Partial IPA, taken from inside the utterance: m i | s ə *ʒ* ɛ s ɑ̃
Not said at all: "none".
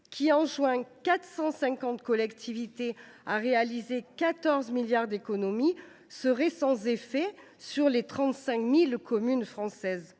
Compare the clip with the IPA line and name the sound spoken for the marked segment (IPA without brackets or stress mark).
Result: ʁ